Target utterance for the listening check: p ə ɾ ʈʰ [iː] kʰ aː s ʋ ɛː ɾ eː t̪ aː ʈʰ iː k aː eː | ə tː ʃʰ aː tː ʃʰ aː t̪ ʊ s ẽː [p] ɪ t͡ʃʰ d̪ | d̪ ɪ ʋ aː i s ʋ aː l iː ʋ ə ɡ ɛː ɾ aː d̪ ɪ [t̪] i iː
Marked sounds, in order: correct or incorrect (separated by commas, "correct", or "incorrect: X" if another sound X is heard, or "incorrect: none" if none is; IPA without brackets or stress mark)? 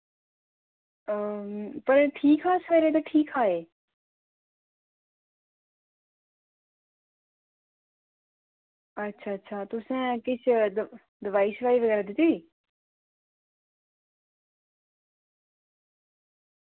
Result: correct, incorrect: k, correct